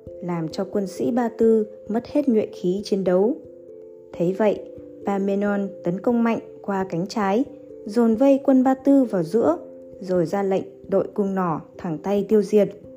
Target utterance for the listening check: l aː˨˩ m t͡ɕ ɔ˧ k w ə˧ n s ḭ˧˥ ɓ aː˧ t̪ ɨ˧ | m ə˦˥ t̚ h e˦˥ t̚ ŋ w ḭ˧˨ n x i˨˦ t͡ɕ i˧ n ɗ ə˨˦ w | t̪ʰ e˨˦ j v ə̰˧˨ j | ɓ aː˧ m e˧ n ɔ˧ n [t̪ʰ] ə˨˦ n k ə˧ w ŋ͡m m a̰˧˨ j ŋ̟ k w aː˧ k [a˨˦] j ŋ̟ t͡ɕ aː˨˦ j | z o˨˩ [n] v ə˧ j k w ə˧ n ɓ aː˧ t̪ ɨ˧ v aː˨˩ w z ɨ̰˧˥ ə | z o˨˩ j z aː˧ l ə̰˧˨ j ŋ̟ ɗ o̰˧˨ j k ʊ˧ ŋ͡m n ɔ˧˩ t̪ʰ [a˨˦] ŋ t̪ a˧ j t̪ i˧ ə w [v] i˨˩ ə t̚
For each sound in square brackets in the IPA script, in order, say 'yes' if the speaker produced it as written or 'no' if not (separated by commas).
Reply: no, yes, yes, no, no